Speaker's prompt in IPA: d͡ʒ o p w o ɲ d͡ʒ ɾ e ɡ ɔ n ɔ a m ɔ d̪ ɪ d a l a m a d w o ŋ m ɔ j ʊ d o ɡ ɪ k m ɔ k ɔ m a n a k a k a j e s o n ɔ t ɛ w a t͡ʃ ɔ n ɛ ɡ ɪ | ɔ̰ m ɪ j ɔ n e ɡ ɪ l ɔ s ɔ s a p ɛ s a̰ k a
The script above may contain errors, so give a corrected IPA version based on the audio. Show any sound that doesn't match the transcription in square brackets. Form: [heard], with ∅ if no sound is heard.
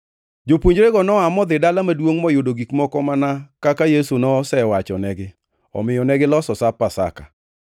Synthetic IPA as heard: d͡ʒ o p w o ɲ d͡ʒ ɾ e ɡ ɔ n ɔ a m ɔ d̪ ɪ d a l a m a d w o ŋ m ɔ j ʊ d o ɡ [i] k m ɔ k ɔ m a n a k a k a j e s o n ɔ [s] ɛ w a t͡ʃ ɔ n ɛ ɡ ɪ | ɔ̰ m ɪ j ɔ n [ɛ] ɡ ɪ l ɔ s ɔ s a p [a] s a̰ k a